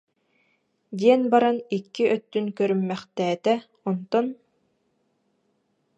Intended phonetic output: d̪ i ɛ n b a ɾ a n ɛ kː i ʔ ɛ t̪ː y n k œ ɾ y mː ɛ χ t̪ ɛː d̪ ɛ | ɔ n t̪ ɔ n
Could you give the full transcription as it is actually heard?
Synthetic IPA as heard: d̪ i ɛ n b a ɾ a n i kː i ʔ œ t̪ː y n k œ ɾ y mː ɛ χ t̪ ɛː t̪ ɛ | ɔ n t̪ ɔ n